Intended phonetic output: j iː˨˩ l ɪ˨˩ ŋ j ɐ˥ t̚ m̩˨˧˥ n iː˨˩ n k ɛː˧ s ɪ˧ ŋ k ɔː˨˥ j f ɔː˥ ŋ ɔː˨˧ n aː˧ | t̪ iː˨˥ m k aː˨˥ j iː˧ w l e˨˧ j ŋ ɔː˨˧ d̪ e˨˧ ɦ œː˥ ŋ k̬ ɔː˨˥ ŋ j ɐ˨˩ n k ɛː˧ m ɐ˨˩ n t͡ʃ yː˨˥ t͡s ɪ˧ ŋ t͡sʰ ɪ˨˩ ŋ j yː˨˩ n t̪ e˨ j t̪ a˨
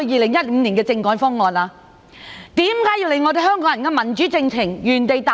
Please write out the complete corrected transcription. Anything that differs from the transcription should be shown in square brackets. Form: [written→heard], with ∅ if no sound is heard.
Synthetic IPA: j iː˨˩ l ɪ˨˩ ŋ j ɐ˥ t̚ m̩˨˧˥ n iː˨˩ n k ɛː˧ [s→t͡s] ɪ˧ ŋ k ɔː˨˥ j f ɔː˥ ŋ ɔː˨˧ n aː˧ | t̪ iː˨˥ m k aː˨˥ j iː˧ w l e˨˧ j ŋ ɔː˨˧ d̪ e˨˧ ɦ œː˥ ŋ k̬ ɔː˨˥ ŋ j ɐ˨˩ n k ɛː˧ m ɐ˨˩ n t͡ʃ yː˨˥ t͡s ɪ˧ ŋ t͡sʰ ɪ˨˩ ŋ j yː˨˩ n t̪ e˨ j t̪ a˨